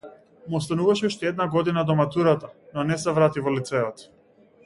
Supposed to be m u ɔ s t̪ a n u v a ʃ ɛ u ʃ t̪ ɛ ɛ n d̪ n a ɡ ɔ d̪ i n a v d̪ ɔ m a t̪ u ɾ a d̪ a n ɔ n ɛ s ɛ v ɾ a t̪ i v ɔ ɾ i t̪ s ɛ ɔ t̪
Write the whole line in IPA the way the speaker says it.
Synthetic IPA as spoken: m u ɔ s t̪ a n u v a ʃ ɛ u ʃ t̪ ɛ ɛ d̪ n a ɡ ɔ d̪ i n a d̪ ɔ m a t̪ u ɾ a t̪ a n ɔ n ɛ s ɛ v ɾ a t̪ i v ɔ l i t̪ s ɛ ɔ t̪